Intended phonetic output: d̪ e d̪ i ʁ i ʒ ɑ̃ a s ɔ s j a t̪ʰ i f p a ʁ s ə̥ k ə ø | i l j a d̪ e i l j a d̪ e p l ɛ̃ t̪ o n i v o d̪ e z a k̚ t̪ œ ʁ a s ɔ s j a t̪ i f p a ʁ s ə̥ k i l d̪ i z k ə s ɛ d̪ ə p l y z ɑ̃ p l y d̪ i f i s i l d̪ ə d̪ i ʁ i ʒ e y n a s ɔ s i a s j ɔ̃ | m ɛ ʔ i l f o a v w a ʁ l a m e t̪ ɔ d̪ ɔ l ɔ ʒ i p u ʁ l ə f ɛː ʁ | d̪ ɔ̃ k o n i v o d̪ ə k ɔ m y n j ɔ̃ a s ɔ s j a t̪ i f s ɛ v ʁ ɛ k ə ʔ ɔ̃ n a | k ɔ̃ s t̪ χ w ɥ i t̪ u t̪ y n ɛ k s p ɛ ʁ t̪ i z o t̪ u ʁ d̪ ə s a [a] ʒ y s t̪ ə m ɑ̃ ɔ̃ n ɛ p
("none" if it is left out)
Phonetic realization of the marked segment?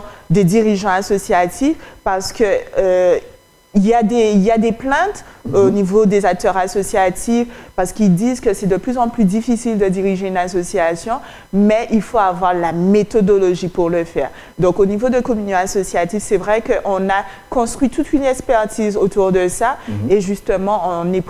e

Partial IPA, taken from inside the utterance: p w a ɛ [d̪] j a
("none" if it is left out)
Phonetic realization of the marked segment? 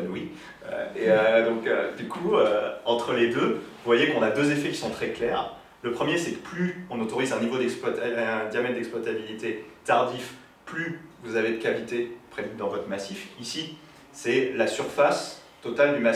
d̪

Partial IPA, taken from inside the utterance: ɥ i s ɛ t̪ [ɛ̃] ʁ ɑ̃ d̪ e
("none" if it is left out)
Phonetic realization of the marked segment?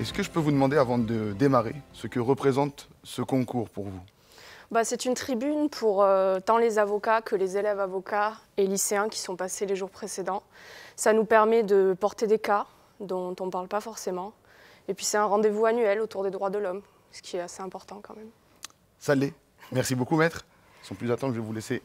ɛ̃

